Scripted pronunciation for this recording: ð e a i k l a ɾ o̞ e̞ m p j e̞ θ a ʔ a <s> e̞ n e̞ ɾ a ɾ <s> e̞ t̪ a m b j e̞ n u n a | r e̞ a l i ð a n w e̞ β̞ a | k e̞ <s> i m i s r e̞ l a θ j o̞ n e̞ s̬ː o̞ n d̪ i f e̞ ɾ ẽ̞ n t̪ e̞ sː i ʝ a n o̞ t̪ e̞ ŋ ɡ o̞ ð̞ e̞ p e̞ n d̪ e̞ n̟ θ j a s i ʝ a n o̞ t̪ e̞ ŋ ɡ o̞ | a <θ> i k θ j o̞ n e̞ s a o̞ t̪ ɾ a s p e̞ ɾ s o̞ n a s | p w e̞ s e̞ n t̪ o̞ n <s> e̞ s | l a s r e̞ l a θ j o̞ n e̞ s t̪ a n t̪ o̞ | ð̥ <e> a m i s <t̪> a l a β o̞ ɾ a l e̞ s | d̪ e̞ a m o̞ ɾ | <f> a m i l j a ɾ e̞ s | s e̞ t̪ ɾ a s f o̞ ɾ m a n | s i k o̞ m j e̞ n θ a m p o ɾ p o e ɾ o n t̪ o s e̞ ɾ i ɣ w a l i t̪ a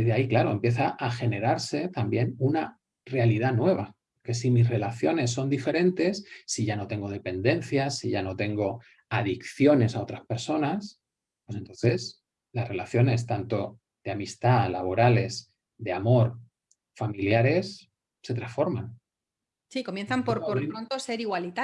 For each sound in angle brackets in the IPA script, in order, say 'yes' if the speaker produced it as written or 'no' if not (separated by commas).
no, yes, yes, no, no, yes, yes, yes